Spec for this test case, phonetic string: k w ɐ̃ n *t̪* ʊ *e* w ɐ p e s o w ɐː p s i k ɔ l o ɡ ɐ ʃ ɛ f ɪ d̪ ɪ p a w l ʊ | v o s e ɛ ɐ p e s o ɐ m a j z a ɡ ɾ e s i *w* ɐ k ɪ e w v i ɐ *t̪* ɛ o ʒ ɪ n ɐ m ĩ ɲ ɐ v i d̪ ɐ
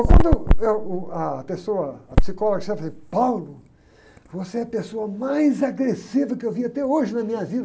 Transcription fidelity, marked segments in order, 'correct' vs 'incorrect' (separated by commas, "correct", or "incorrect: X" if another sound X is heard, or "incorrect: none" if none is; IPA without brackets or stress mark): incorrect: d̪, correct, incorrect: v, correct